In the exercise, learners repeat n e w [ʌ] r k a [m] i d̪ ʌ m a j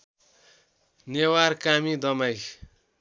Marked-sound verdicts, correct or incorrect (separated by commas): incorrect, correct